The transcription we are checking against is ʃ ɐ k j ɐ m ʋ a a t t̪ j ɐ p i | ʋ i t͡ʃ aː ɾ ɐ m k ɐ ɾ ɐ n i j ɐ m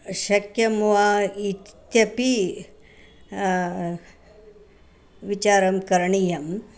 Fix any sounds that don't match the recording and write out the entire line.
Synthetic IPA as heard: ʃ ɐ k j ɐ m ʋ a i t t̪ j ɐ p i | ʋ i t͡ʃ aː ɾ ɐ m k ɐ ɾ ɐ ɳ i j ɐ m